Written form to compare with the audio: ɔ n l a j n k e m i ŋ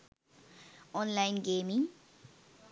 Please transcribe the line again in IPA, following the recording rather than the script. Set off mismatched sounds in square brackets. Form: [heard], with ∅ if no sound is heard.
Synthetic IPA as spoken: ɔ n l a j n [ɡ] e m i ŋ